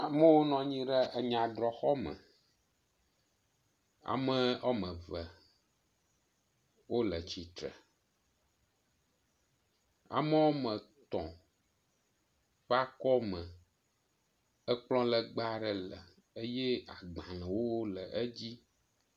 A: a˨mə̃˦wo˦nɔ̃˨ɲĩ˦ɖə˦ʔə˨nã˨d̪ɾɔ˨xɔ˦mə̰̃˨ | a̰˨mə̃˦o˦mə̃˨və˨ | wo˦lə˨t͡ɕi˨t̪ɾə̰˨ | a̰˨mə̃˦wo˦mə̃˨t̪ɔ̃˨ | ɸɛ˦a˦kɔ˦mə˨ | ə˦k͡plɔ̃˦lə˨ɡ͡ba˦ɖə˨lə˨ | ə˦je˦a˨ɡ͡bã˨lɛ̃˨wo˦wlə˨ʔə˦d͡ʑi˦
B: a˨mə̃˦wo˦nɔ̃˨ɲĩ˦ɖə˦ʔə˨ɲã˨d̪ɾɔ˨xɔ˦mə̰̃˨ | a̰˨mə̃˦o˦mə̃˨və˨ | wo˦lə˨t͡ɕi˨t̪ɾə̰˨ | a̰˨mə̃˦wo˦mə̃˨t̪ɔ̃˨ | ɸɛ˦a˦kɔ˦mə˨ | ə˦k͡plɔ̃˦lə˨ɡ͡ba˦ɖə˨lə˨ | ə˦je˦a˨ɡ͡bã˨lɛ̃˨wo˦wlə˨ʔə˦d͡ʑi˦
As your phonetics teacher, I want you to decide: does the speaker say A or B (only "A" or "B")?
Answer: B